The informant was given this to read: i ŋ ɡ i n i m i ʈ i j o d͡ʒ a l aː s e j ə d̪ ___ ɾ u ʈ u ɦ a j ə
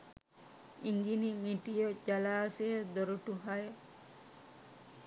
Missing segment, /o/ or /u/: o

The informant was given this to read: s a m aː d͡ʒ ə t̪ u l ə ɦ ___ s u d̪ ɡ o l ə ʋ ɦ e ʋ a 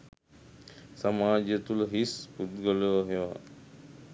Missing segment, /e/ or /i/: i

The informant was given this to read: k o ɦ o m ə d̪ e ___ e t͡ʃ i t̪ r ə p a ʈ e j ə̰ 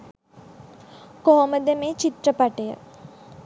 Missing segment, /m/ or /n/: m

